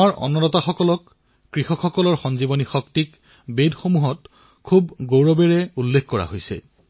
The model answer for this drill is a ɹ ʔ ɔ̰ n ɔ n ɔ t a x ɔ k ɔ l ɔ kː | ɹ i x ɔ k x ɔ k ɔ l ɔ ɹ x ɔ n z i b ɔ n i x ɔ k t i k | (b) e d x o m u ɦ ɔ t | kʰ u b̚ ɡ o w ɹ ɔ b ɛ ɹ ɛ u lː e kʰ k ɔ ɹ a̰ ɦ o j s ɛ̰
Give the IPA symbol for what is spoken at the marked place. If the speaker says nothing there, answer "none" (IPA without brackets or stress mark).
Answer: b